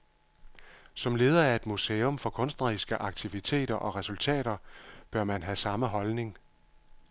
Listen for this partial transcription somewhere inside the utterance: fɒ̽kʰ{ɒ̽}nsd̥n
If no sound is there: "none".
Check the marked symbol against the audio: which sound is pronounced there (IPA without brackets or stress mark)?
ɔ̽